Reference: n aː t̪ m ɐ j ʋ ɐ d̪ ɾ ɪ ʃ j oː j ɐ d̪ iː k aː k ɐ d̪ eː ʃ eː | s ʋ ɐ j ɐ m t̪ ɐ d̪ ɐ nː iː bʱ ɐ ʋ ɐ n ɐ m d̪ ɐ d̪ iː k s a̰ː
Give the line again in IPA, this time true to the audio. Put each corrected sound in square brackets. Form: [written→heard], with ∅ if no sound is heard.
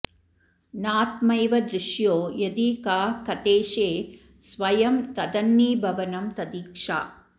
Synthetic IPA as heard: n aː t̪ m ɐ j ʋ ɐ d̪ ɾ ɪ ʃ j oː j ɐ d̪ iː k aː k ɐ [d̪→t̪] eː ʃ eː | s ʋ ɐ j ɐ m t̪ ɐ d̪ ɐ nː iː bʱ ɐ ʋ ɐ n ɐ m [d̪→t̪] ɐ d̪ iː k [s→ʂ] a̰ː